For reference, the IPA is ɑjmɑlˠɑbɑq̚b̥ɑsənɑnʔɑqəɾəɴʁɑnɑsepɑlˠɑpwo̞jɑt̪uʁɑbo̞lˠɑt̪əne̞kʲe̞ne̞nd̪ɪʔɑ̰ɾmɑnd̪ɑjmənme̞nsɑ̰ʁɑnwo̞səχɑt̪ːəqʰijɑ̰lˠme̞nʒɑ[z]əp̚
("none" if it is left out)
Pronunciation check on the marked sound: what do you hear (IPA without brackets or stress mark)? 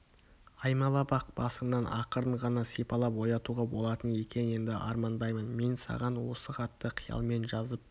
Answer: z